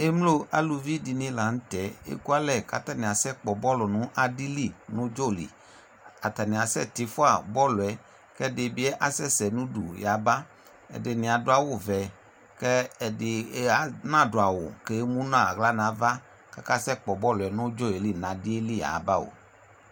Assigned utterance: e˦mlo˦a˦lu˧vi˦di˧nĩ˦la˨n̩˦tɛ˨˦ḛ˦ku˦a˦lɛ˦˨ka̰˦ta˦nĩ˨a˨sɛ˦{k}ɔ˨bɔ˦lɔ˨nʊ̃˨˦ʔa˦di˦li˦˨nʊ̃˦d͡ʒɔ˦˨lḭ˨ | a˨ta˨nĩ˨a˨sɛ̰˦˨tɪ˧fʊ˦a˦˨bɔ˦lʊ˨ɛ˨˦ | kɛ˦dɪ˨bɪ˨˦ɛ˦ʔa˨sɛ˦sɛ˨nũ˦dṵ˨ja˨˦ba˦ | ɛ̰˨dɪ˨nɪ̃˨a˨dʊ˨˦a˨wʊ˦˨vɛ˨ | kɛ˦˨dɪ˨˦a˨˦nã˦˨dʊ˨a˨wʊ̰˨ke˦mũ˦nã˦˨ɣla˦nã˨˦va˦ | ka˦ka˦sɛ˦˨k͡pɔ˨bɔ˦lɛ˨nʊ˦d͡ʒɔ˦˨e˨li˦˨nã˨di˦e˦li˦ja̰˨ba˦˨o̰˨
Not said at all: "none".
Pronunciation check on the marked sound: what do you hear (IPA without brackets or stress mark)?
k͡p